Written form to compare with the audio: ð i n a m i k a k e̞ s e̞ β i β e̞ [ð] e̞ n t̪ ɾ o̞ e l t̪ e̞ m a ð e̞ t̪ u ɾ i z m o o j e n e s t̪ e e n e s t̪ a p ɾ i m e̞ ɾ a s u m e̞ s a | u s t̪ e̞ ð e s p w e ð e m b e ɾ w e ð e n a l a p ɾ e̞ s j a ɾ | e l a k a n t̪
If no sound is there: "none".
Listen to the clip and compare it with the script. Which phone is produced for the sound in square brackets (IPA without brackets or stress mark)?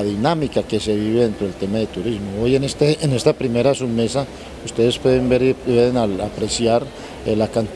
ð